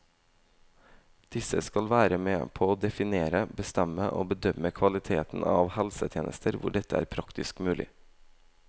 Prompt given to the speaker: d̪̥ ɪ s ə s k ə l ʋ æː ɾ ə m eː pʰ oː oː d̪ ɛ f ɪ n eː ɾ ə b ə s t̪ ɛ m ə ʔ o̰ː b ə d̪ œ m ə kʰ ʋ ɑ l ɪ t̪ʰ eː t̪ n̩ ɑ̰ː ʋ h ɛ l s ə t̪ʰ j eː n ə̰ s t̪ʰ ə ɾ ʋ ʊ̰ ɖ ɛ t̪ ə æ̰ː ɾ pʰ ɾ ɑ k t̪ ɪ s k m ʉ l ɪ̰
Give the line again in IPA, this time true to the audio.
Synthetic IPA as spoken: d̪̥ ɪ s ə s k ɑ l ʋ æː ɾ ə m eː pʰ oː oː d̪ ɛ f ɪ n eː ɾ ə b ə s t̪ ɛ m ə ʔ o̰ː b ə d̪ œ m ə kʰ ʋ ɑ l ɪ t̪ʰ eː t̪ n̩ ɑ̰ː ʋ h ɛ l s ə t̪ʰ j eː n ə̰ s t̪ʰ ə ɾ ʋ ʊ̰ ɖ ɛ t̪ ə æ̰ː ɾ pʰ ɾ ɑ k t̪ ɪ s k m ʉː l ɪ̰